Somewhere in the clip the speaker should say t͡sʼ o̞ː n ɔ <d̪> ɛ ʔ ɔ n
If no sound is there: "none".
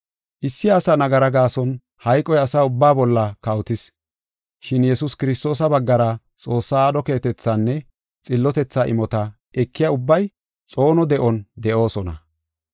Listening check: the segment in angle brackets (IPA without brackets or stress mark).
d̪